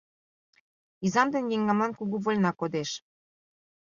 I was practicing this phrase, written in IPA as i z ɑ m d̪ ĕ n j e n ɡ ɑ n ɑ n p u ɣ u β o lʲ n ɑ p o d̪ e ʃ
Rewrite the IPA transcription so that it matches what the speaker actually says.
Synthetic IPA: i z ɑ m d̪ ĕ n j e ŋ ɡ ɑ m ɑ n k u ɣ u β o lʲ n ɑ k o d̪ e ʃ